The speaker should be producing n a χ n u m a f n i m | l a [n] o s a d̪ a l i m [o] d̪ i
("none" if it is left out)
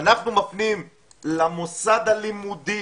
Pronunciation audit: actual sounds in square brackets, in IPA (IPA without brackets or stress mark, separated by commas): m, u